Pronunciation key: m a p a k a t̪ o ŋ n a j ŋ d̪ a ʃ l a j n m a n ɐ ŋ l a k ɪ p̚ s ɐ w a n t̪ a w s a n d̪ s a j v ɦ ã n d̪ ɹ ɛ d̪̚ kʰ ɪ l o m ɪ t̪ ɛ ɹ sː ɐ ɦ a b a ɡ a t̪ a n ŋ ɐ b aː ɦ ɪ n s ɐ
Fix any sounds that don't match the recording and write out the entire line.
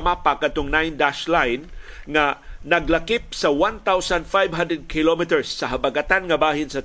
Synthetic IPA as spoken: m a p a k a t̪ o ŋ n a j n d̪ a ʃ l a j n ŋ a n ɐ ɡ l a k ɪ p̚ s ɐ w a n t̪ a w s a n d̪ f a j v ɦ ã n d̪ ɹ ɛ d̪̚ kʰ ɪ l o m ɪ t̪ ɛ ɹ sː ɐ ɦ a b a ɡ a t̪ a n ŋ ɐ b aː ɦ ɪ n s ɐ